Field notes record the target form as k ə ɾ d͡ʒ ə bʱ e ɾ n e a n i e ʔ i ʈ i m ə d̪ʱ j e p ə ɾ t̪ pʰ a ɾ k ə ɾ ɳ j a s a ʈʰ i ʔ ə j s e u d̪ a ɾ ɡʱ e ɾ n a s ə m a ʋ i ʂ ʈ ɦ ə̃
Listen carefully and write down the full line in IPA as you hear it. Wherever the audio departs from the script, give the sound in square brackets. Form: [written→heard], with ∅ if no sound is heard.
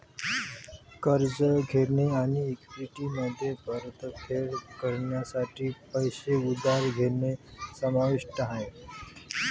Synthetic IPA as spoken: k ə ɾ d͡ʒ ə [bʱ→ɡʱ] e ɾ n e a n i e [ʔ→k] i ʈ i m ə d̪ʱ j e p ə ɾ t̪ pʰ [a→e] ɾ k ə ɾ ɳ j a s a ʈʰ i [ʔ→p] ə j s e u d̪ a ɾ ɡʱ e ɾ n [a→e] s ə m a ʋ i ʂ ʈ ɦ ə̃